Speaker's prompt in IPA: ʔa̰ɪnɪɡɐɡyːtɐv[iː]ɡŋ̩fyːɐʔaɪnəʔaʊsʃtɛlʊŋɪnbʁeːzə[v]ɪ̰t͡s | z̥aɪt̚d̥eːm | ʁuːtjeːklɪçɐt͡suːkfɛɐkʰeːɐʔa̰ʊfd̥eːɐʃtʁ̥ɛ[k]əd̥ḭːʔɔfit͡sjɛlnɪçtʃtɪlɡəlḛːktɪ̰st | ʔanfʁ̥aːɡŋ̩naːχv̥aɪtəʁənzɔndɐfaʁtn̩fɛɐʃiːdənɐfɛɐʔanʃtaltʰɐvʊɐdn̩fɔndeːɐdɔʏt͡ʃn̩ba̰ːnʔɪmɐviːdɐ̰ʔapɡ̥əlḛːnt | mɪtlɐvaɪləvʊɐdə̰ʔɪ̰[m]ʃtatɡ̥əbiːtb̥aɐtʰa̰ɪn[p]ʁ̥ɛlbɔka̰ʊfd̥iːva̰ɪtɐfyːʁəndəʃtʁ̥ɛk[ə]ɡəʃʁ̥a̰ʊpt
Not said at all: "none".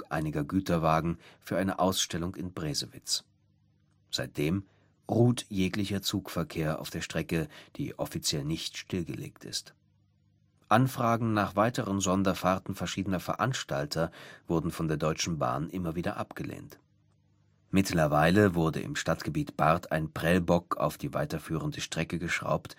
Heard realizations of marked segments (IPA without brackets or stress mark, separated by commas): aː, v, k, m, p, ə